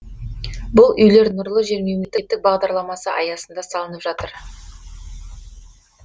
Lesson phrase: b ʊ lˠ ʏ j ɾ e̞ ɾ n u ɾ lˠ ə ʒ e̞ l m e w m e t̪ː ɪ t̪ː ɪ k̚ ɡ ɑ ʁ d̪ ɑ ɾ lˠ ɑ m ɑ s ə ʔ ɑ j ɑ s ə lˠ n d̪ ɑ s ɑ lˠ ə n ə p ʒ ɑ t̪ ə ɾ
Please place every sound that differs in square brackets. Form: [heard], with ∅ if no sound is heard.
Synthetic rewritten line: b ʊ lˠ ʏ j [l] e̞ ɾ n [ʊ] ɾ lˠ ə ʒ e̞ [ɾ] m e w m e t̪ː ɪ t̪ː ɪ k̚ [b] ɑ ʁ d̪ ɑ ɾ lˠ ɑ m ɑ s ə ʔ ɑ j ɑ s ə [∅] n d̪ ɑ s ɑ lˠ ə n ə p ʒ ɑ t̪ ə ɾ